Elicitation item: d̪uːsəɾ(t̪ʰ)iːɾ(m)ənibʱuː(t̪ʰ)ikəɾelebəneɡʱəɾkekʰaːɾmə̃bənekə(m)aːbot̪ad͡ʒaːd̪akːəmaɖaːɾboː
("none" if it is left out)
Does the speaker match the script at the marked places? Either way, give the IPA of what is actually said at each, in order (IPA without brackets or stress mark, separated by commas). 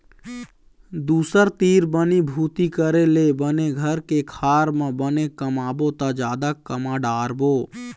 t̪, b, t̪, m